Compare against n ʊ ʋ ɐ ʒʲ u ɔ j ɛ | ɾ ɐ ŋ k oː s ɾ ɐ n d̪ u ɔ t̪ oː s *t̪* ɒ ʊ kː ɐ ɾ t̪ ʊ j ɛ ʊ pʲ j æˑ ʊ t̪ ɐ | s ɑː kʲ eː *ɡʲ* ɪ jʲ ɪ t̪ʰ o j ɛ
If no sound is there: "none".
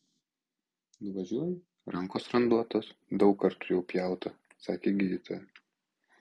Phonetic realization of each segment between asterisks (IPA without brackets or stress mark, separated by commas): d̪, ɡʲ